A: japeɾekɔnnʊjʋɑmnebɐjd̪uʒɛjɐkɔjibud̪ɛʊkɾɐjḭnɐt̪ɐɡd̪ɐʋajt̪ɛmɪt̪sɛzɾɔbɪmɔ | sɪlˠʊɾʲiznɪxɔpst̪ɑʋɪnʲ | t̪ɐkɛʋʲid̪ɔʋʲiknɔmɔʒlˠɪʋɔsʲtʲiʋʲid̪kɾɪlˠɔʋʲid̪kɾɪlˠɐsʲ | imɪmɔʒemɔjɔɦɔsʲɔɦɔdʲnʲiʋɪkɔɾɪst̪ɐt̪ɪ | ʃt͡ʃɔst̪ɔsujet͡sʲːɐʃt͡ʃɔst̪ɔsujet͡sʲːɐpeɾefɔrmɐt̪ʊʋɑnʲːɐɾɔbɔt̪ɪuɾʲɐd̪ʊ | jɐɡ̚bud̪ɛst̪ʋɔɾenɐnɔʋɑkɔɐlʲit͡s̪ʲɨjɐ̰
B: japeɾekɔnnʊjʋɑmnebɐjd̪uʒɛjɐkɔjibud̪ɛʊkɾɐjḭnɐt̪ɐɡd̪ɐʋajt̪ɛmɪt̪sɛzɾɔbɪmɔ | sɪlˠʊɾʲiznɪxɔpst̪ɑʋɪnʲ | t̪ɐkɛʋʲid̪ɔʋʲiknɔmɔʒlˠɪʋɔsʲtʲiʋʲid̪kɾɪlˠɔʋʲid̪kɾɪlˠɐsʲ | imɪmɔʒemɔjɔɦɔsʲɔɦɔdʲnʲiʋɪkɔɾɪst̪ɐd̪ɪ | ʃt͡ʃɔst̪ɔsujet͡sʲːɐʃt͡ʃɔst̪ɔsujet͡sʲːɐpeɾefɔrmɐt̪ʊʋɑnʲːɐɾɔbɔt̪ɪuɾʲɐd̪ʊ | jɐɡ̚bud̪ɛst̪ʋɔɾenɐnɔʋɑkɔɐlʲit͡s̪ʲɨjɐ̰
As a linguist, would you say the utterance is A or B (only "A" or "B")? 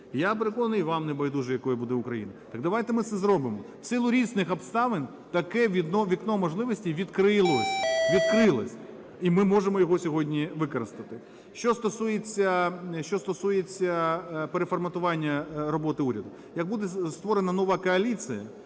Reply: A